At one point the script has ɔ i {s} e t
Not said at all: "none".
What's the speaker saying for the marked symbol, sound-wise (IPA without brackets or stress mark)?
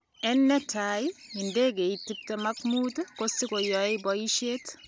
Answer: ʃ